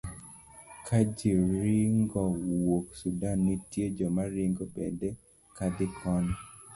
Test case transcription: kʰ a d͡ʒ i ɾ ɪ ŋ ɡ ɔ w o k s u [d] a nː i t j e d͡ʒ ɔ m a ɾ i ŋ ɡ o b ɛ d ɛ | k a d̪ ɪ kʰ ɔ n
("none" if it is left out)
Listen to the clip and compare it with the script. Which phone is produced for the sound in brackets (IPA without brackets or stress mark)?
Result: d